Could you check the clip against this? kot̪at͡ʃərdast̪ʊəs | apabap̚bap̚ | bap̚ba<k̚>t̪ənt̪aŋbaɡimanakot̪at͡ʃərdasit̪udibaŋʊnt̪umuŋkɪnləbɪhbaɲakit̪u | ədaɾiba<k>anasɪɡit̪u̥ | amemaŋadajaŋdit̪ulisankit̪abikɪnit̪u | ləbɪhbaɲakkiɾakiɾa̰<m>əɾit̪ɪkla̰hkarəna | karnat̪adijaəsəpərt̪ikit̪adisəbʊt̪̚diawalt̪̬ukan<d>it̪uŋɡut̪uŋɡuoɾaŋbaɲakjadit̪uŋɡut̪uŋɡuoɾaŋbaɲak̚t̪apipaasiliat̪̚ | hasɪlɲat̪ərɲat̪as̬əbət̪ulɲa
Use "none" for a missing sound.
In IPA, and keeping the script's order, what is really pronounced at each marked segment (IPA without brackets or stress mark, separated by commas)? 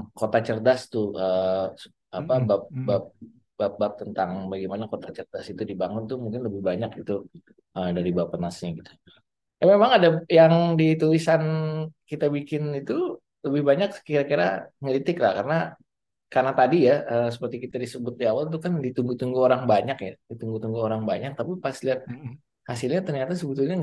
p̚, p, ŋ, d